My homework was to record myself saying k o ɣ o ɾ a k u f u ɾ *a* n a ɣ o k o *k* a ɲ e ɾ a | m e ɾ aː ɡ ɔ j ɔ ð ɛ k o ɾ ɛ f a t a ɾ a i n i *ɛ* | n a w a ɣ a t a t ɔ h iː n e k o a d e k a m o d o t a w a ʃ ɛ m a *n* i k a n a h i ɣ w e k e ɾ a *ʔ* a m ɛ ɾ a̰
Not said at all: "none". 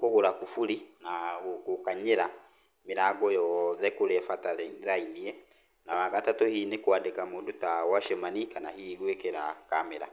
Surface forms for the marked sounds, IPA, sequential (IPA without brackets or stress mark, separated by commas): i, k, ɛ, n, k